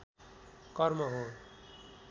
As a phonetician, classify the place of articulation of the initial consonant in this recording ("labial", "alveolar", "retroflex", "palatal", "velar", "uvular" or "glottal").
velar